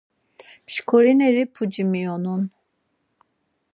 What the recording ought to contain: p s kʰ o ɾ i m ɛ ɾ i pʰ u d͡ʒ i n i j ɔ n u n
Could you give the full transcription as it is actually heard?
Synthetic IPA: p ʃ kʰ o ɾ i n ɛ ɾ i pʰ u d͡ʒ i m i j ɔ n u n